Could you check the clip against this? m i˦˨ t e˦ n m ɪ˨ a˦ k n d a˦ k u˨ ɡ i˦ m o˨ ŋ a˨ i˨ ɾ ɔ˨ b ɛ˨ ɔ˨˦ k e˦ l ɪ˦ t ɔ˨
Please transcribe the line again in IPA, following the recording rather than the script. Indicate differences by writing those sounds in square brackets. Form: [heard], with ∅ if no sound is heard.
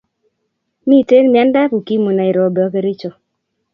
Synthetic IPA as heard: m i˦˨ t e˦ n m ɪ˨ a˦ [∅] n d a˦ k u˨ [k] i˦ m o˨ [n] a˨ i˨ ɾ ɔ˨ b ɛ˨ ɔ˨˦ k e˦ [ɾ] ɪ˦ [t͡ʃ] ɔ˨